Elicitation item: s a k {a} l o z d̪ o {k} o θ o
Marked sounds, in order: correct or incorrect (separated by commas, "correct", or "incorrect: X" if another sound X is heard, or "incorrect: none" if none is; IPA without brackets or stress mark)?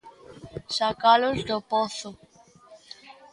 correct, incorrect: p